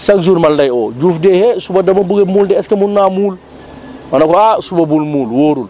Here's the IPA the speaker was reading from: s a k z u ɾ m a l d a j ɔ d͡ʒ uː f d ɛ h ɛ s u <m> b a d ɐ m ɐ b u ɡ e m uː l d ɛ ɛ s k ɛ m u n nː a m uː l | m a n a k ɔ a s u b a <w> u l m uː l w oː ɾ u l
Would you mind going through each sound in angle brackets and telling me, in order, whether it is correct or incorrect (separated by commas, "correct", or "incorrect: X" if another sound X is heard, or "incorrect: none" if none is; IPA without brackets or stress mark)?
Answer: incorrect: none, incorrect: b